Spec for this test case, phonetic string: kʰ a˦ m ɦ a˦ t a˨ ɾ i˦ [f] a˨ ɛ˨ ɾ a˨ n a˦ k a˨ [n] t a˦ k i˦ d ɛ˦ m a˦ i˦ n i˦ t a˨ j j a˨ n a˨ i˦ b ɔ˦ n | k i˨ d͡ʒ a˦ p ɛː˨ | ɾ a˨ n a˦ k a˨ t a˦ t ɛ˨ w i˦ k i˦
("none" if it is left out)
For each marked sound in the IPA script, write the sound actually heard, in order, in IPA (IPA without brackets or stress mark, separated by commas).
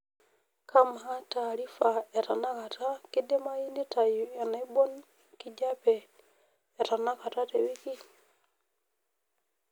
f, none